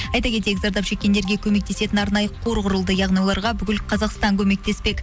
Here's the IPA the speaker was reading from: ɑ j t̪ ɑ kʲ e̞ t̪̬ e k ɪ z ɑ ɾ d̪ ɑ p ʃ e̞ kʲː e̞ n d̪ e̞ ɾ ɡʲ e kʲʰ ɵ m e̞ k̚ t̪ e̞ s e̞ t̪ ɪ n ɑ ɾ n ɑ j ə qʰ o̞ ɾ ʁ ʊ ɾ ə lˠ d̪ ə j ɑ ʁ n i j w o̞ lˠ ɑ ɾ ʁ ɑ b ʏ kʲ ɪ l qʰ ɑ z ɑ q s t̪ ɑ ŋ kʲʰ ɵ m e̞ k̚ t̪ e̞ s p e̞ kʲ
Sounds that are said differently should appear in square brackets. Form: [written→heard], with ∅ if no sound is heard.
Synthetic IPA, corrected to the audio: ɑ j t̪ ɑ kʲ e̞ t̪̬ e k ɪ z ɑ ɾ d̪ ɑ p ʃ e̞ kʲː e̞ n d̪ e̞ ɾ ɡʲ e kʲʰ ɵ m e̞ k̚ t̪ e̞ s e̞ t̪ ɪ n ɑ ɾ n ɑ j ə qʰ o̞ ɾ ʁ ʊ ɾ ə lˠ d̪ ə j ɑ ʁ n i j w o̞ lˠ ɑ ɾ ʁ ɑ b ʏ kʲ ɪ l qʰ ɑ z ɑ q s t̪ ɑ ŋ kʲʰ ɵ m e̞ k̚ t̪ e̞ s p e̞ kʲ

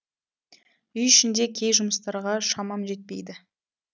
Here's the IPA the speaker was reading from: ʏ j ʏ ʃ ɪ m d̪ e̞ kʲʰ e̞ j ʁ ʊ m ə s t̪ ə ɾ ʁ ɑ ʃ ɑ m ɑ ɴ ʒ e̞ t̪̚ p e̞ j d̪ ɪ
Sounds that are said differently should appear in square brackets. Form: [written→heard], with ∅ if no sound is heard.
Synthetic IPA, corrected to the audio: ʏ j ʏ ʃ ɪ [m→n] d̪ e̞ kʲʰ e̞ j [ʁ→ʒ] ʊ m ə s t̪ [ə→ɑ] ɾ ʁ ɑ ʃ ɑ m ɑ [ɴ→m] ʒ e̞ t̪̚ p e̞ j d̪ ɪ

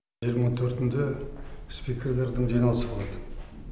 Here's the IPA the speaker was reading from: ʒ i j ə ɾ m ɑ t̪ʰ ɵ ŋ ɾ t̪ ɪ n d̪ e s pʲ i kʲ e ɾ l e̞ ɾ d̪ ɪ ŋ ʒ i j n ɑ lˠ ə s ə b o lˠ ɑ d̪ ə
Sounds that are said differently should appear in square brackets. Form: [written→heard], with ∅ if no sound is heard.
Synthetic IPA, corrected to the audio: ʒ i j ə ɾ m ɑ t̪ʰ ɵ [ŋ→∅] ɾ t̪ ɪ n d̪ e s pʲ i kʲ e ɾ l e̞ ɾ d̪ ɪ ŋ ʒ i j n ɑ lˠ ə s ə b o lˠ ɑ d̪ ə

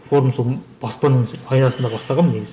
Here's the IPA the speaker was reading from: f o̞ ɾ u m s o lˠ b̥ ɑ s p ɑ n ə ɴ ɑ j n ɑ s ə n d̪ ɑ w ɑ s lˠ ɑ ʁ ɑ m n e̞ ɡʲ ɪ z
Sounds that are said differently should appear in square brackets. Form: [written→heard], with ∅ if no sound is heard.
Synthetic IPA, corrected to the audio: f o̞ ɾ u m s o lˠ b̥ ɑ s p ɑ n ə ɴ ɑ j n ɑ s ə n d̪ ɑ [w→b] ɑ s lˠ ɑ ʁ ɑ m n e̞ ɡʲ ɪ z

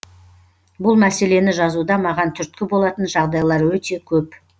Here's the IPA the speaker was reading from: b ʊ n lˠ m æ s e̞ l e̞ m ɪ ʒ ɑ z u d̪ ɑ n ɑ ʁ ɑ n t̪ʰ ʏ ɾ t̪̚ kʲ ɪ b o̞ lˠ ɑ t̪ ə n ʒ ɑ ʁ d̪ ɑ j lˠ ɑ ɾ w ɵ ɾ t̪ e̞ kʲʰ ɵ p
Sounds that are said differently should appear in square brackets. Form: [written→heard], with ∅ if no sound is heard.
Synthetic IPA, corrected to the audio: b ʊ [n→∅] lˠ m æ s e̞ l e̞ [m→n] ɪ ʒ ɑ z u d̪ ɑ [n→m] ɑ ʁ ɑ n t̪ʰ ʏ ɾ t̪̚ kʲ ɪ b o̞ lˠ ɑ t̪ ə n ʒ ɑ ʁ d̪ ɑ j lˠ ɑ ɾ w ɵ [ɾ→∅] t̪ e̞ kʲʰ ɵ p

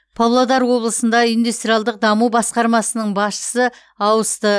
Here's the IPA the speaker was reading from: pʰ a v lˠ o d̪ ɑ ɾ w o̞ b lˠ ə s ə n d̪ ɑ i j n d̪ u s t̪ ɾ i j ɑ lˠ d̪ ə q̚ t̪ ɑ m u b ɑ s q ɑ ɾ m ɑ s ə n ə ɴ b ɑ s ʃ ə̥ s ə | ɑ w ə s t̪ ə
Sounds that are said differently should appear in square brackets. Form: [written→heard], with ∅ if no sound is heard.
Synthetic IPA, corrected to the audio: pʰ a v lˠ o d̪ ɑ ɾ w o̞ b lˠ ə s ə n d̪ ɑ i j n d̪ u s t̪ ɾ i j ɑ lˠ d̪ ə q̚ [t̪→d̪] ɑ m u b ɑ s q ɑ ɾ m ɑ s ə n ə ɴ b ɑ s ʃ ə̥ s ə | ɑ w ə s t̪ ə

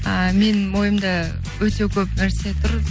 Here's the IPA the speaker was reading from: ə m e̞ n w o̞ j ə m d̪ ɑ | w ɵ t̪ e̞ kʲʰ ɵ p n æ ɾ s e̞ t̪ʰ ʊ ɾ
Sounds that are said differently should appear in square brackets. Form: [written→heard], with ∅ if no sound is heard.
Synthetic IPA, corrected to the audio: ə m e̞ n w o̞ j ə m d̪ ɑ | w ɵ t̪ e̞ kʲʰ ɵ p n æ ɾ s e̞ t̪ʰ ʊ ɾ

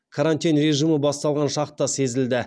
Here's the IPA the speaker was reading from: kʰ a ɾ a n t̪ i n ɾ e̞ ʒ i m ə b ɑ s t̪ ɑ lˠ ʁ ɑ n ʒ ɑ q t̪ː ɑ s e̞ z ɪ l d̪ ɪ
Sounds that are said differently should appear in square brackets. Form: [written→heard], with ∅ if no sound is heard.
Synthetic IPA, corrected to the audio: kʰ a ɾ a n t̪ i n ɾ e̞ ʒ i m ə b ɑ s t̪ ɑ lˠ ʁ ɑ n [ʒ→ʃ] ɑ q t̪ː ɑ s e̞ z ɪ l d̪ ɪ

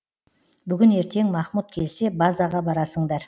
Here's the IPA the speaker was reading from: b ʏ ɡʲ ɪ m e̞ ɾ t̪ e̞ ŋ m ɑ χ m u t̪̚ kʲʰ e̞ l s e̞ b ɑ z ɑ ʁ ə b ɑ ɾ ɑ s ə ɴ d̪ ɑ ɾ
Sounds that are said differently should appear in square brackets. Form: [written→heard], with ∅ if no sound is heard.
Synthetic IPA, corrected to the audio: b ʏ ɡʲ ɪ [m→n] e̞ ɾ t̪ e̞ ŋ m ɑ χ m u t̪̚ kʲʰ e̞ l s e̞ b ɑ z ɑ ʁ [ə→ɑ] b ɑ ɾ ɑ s ə ɴ d̪ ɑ ɾ

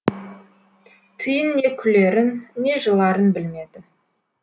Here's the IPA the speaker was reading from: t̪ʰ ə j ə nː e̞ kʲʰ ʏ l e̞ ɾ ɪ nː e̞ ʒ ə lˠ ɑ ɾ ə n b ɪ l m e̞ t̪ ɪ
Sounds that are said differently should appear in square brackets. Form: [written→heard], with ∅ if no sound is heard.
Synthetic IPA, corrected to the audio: t̪ʰ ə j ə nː e̞ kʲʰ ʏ l e̞ ɾ ɪ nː e̞ ʒ ə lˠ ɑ ɾ ə n b ɪ l m e̞ [t̪→d̪] ɪ

